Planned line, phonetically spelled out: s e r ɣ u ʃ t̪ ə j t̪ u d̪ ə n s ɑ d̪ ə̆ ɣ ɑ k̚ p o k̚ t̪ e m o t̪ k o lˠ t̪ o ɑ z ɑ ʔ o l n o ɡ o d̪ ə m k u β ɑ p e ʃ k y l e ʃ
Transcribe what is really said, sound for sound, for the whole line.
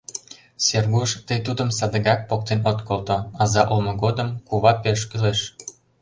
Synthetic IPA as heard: s e r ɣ u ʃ t̪ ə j t̪ u d̪ ə m s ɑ d̪ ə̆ ɣ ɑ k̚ p o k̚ t̪ e n o t̪ k o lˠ t̪ o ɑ z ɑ ʔ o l m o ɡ o d̪ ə m k u β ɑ p e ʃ k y l e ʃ